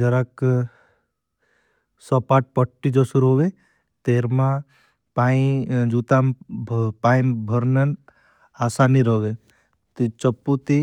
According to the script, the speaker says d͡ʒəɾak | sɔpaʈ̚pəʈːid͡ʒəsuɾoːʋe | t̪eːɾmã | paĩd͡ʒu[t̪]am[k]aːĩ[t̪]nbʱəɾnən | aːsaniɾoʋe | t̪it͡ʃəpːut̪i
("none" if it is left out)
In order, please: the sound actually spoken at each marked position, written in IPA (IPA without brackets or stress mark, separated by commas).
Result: t̪, p, none